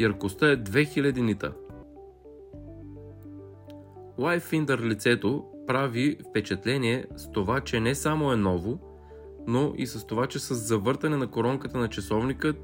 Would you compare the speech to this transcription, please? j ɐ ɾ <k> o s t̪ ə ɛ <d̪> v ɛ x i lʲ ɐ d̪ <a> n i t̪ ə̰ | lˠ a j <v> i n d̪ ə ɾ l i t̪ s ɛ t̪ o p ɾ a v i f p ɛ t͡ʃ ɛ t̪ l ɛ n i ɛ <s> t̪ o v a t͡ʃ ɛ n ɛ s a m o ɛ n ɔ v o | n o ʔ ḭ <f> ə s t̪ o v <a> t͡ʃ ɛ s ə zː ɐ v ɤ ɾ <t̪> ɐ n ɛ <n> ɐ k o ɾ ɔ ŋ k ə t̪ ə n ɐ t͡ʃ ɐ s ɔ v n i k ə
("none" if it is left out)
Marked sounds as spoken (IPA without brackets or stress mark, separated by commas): k, d̪, i, f, s, s, a, t̪, n